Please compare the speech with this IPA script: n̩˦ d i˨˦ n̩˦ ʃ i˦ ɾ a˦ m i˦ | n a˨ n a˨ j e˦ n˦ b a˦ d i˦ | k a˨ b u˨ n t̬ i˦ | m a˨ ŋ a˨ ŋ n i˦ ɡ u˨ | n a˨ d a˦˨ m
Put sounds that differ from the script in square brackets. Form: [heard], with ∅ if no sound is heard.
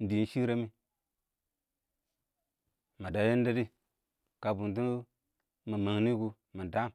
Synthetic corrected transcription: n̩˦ d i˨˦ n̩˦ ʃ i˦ ɾ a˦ m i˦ | [m] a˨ [d] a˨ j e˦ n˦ [d] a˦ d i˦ | k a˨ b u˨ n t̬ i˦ | m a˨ [m] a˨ ŋ n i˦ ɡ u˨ | [m] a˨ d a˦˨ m